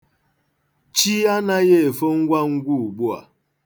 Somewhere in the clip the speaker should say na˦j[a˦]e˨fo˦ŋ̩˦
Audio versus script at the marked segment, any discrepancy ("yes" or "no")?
yes